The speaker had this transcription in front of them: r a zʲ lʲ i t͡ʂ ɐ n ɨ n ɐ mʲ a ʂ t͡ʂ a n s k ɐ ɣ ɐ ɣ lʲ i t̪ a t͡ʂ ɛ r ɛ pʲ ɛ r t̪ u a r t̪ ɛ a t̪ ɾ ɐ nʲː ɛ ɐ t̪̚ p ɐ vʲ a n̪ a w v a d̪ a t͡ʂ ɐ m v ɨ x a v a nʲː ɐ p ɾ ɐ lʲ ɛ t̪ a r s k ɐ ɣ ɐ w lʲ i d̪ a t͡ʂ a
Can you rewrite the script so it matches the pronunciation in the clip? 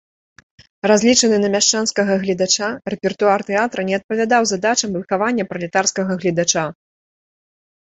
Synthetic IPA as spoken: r a zʲ lʲ i t͡ʂ ɐ n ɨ n ɐ mʲ a ʂ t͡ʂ a n s k ɐ ɣ ɐ ɣ lʲ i d̪ a t͡ʂ a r ɛ pʲ ɛ r t̪ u a r t̪ ɛ a t̪ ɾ ɐ nʲ ɛ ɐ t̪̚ p ɐ vʲ a d̪ a w z a d̪ a t͡ʂ ɐ m v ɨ x a v a nʲː ɐ p ɾ ɐ lʲ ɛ t̪ a r s k ɐ ɣ ɐ ɣ lʲ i d̪ a t͡ʂ a